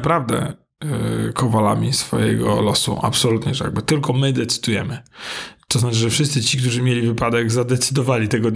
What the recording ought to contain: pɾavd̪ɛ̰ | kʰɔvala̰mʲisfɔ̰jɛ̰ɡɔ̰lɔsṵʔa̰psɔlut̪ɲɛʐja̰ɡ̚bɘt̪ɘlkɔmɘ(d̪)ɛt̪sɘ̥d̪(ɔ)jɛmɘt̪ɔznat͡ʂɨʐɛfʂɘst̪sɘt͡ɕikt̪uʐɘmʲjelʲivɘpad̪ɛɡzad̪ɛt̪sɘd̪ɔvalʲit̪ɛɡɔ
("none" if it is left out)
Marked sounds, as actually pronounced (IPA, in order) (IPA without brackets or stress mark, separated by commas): d̪, u